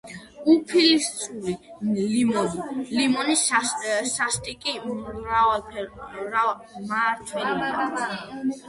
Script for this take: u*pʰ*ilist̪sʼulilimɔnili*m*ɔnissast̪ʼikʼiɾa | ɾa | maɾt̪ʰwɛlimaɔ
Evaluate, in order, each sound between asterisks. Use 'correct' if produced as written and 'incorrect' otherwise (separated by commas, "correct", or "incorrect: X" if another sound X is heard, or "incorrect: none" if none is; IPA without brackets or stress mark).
correct, correct